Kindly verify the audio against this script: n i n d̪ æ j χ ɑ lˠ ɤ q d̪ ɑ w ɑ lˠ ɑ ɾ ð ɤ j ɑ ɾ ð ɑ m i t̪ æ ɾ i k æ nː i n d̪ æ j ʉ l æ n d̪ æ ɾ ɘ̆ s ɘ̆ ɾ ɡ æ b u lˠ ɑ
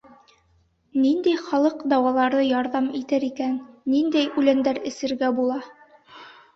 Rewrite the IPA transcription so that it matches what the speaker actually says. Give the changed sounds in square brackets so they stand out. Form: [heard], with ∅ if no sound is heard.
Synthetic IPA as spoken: n i n d̪ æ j χ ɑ lˠ ɤ q d̪ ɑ w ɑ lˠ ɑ ɾ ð ɤ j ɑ ɾ ð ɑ m i t̪ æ ɾ i k æ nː i n d̪ æ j ʉ l æ n d̪ æ ɾ ɘ̆ s ɘ̆ ɾ ɡ æ b u lˠ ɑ

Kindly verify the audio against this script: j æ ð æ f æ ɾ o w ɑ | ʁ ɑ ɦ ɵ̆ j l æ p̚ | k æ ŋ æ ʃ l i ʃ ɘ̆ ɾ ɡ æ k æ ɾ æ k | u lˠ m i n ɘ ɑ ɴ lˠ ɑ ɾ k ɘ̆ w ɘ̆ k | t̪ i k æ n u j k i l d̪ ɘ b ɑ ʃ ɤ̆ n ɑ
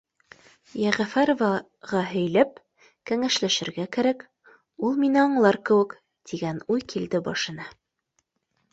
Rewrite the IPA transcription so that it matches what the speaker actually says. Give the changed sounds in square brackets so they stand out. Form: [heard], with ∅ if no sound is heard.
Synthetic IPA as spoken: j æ [ʁ] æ f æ ɾ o [v] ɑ | ʁ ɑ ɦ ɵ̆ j l æ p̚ | k æ ŋ æ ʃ l [æ] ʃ ɘ̆ ɾ ɡ æ k æ ɾ æ k | u lˠ m i n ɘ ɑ ɴ lˠ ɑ ɾ k ɘ̆ w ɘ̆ k | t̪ i [ɡ] æ n u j k i l d̪ ɘ b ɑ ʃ ɤ̆ n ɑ

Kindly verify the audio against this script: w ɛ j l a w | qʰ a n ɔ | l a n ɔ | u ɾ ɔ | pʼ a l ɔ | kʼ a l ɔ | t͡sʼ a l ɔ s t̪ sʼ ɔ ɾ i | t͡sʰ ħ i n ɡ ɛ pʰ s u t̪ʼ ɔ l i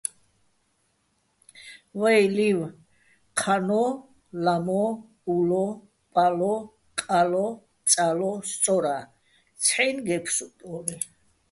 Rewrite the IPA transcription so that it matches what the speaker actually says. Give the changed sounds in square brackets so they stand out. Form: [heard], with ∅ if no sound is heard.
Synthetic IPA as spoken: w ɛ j l [i] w | qʰ a n ɔ | l a [m] ɔ | u [l] ɔ | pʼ a l ɔ | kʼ a l ɔ | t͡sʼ a l ɔ s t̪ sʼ ɔ ɾ [a] | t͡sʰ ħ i n ɡ ɛ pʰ s u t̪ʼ ɔ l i

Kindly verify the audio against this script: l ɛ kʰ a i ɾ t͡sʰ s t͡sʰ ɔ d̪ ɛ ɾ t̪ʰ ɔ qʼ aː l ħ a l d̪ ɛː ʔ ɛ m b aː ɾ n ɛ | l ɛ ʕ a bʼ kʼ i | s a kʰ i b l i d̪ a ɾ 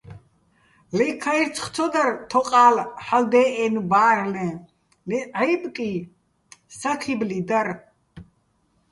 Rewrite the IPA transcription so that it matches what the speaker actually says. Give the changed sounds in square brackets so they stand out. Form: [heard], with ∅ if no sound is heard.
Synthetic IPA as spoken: l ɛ kʰ a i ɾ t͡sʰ [χ] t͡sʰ ɔ d̪ [a] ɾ t̪ʰ ɔ qʼ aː l ħ a l d̪ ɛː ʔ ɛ [n] b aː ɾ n ɛ | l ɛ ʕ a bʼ kʼ i | s a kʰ i b l i d̪ a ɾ

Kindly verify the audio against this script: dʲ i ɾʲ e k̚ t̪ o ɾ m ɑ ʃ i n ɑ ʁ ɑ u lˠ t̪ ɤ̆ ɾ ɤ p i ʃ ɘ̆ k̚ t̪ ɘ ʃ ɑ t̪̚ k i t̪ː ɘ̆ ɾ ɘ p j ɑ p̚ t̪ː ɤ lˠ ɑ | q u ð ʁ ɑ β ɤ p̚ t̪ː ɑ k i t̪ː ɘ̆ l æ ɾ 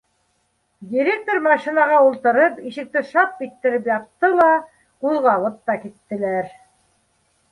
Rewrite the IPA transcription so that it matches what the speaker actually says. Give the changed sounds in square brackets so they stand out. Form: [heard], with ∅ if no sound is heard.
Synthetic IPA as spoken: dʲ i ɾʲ e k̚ t̪ o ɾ m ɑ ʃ i n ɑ ʁ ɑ u lˠ t̪ ɤ̆ ɾ ɤ p i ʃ ɘ̆ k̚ t̪ ɘ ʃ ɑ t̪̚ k i t̪ː ɘ̆ ɾ ɘ p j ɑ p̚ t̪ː ɤ lˠ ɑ | q u ð ʁ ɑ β ɤ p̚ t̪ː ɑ k i t̪ː ɘ̆ l æ ɾ

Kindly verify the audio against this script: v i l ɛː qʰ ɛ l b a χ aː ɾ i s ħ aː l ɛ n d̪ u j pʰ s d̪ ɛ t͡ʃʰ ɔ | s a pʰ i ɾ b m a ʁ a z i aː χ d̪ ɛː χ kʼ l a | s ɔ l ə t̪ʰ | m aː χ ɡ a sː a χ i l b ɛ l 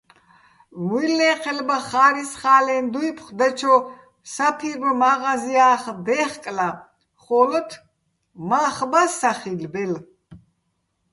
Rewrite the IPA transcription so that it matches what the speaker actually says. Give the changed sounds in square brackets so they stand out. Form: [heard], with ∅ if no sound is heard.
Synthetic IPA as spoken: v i l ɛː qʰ ɛ l b a χ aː ɾ i s [χ] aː l ɛ n d̪ u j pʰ [χ] d̪ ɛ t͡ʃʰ ɔ | s a pʰ i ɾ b m a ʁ a z i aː χ d̪ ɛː χ kʼ l a | [χ] ɔ l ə t̪ʰ | m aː χ [b] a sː a χ i l b ɛ l

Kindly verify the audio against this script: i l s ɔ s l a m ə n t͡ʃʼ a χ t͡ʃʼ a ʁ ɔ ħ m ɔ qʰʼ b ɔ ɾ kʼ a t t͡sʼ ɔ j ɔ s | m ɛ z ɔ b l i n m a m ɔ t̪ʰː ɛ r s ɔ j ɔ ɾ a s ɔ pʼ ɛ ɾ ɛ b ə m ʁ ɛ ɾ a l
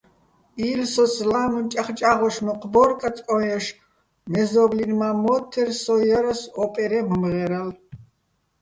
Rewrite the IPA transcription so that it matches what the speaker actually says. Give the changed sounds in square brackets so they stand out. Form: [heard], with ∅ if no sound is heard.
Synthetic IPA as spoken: i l s ɔ s l a m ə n t͡ʃʼ a χ t͡ʃʼ a ʁ ɔ [ʃ] m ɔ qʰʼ b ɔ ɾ kʼ a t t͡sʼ ɔ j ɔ [ʃ] | m ɛ z ɔ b l i n m a m ɔ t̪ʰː ɛ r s ɔ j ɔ ɾ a s ɔ pʼ ɛ ɾ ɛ [m] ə m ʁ ɛ ɾ a l

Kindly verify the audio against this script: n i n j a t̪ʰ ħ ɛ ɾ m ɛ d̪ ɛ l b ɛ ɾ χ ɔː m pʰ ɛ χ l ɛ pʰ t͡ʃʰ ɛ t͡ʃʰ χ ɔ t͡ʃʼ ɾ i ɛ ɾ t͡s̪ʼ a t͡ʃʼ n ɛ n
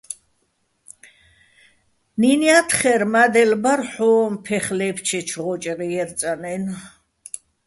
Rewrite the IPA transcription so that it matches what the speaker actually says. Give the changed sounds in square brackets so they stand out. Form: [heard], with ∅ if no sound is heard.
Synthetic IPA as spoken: n i n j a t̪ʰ [χ] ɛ ɾ m [a] d̪ ɛ l b [a] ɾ [ħ] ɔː m pʰ ɛ χ l ɛ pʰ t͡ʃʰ ɛ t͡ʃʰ [ʁ] ɔ t͡ʃʼ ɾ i ɛ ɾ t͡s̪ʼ a [∅] n ɛ n

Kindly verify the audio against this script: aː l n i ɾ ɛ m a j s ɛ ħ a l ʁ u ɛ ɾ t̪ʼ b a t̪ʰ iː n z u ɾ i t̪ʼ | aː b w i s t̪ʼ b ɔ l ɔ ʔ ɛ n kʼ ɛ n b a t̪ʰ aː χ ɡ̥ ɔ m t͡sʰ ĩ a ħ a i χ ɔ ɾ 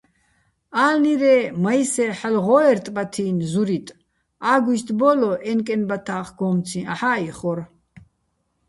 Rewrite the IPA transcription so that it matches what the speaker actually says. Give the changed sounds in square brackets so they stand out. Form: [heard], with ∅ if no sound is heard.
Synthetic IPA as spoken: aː l n i ɾ ɛ m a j s ɛ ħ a l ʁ [ɔ] ɛ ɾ t̪ʼ b a t̪ʰ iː n z u ɾ i t̪ʼ | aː [ɡ] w i s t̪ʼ b ɔ l ɔ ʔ ɛ n kʼ ɛ n b a t̪ʰ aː χ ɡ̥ ɔ m t͡sʰ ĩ a ħ a i χ ɔ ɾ

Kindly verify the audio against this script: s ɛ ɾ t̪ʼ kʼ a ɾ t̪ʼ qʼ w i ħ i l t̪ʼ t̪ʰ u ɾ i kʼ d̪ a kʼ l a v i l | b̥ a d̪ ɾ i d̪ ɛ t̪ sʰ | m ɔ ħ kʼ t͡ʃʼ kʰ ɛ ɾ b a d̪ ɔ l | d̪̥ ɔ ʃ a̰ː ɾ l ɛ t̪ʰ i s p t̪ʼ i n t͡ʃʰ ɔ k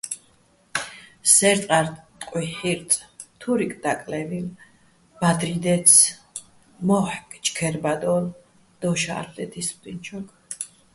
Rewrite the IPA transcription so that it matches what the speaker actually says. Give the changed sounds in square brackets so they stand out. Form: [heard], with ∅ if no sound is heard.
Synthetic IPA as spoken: s ɛ ɾ t̪ʼ [qʼ] a ɾ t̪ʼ qʼ w i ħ i [ɾ] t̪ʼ t̪ʰ u ɾ i kʼ d̪ a kʼ l [ɛ] v i l | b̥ a d̪ ɾ i d̪ ɛ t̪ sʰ | m ɔ ħ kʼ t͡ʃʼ kʰ ɛ ɾ b a d̪ ɔ l | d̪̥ ɔ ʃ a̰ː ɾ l ɛ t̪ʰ i s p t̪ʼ i n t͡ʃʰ ɔ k

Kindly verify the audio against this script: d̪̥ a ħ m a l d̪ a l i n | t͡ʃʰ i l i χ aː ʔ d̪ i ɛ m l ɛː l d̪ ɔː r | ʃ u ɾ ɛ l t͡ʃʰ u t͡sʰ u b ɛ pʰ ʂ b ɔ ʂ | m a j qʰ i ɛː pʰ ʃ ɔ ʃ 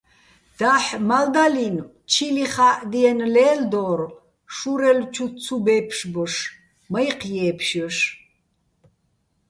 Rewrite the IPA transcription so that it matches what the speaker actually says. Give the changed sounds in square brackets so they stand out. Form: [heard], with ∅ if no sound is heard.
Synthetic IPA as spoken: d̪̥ a ħ m a l d̪ a l i n | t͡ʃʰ i l i χ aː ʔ d̪ i ɛ [n] l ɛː l d̪ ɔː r | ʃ u ɾ ɛ l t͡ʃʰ u t͡sʰ u b ɛ pʰ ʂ b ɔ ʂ | m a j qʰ [j] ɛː pʰ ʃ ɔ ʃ

